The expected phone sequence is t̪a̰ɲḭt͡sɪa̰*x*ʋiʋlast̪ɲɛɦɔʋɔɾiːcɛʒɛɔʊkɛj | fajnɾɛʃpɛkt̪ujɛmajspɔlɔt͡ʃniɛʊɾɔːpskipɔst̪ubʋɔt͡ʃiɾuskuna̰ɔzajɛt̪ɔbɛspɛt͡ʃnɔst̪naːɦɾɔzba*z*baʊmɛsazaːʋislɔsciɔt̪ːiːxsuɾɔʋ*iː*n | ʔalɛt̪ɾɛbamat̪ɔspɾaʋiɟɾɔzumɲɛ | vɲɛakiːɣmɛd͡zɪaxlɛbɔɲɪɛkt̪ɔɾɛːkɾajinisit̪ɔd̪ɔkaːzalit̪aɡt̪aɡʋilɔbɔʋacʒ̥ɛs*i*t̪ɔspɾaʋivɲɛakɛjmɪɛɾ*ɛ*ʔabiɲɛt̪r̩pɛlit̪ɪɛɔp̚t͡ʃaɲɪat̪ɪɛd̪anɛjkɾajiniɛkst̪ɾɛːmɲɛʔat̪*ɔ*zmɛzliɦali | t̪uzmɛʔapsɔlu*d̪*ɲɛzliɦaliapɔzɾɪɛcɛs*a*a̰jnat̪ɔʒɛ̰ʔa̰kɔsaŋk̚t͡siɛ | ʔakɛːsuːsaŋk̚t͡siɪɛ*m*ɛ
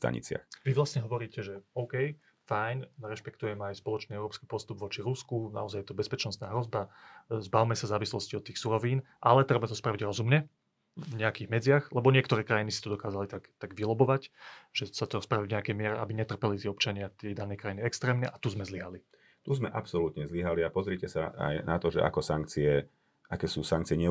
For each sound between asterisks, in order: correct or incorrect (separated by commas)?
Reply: correct, correct, correct, incorrect, correct, incorrect, incorrect, correct, incorrect